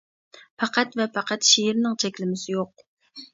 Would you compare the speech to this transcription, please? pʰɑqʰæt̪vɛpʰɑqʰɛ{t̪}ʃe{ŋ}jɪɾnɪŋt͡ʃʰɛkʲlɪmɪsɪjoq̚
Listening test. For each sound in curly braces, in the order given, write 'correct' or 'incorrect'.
correct, incorrect: none

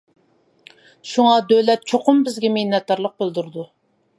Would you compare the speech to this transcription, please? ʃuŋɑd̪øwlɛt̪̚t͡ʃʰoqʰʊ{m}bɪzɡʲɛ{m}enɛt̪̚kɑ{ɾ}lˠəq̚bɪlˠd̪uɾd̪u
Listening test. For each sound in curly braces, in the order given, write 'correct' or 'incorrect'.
correct, correct, correct

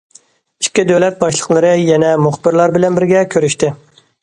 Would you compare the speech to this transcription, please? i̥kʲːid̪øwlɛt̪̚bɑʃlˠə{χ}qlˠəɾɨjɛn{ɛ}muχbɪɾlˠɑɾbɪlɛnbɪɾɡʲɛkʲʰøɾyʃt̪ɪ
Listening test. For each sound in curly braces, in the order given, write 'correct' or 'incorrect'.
incorrect: none, correct

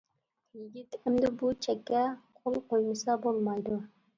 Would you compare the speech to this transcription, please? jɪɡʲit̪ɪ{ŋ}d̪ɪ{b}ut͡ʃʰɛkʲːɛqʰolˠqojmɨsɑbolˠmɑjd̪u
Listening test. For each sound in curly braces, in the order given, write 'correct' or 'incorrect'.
incorrect: m, correct

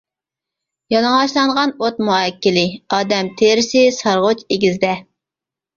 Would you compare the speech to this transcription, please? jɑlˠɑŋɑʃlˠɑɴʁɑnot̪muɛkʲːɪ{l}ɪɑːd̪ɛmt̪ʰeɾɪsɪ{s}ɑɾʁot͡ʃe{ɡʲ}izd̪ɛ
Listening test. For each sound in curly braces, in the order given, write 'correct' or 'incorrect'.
correct, correct, correct

